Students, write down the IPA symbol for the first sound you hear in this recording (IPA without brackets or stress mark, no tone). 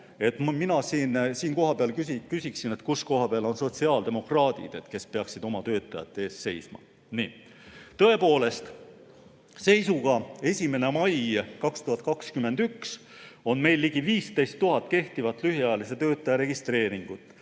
e̞